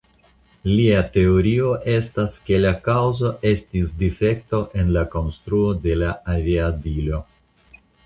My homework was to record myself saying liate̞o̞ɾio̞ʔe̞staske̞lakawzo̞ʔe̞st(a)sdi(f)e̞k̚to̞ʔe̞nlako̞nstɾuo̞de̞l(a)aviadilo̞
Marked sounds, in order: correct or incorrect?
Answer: incorrect: i, correct, correct

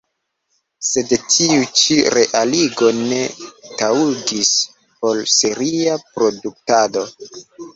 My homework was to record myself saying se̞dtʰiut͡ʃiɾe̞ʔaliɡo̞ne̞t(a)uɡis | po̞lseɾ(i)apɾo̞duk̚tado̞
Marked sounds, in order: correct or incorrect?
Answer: correct, correct

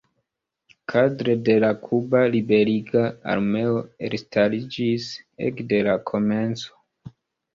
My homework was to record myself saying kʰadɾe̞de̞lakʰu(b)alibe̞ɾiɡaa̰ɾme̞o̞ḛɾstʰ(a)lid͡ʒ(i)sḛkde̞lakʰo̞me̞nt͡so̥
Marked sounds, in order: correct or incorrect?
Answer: correct, correct, correct

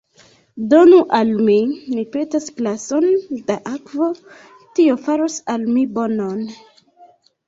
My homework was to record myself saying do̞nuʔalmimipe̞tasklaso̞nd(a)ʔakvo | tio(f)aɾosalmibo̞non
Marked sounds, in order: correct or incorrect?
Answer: correct, correct

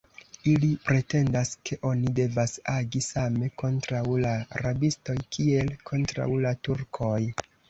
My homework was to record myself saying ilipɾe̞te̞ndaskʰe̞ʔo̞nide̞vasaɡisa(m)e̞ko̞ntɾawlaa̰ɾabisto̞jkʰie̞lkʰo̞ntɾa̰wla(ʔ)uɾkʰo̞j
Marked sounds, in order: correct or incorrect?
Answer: correct, incorrect: t

